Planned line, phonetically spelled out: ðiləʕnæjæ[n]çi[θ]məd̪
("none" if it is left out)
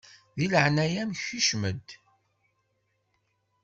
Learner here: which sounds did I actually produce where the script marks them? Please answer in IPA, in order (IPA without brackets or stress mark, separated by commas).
m, ʃ